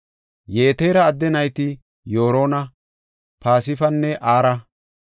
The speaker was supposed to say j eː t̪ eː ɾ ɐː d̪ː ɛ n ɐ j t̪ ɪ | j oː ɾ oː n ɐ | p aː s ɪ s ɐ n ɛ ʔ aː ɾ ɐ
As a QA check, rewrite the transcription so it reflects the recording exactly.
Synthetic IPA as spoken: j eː t̪ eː ɾ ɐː d̪ː ɛ n ɐ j t̪ ɪ | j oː ɾ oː n ɐ | p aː s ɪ f ɐ nː ɛ ʔ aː ɾ ɐ